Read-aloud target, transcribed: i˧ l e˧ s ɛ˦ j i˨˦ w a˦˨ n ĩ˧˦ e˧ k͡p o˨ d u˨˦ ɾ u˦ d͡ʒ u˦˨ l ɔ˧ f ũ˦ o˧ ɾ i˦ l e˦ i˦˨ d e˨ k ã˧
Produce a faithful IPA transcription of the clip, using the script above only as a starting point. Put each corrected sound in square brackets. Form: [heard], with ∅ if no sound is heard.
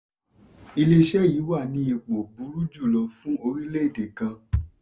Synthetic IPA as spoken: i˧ l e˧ [ʃ] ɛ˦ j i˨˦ w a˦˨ n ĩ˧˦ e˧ k͡p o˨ [b] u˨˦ ɾ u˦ d͡ʒ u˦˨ l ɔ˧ f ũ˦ o˧ ɾ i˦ l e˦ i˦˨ d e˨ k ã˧